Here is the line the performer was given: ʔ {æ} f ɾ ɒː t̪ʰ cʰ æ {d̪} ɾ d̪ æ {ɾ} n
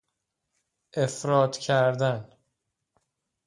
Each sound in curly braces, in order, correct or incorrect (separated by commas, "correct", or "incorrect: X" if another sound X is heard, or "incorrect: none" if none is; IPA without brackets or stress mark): incorrect: e, incorrect: none, incorrect: none